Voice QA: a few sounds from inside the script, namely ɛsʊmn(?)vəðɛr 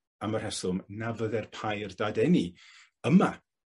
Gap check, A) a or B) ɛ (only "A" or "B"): A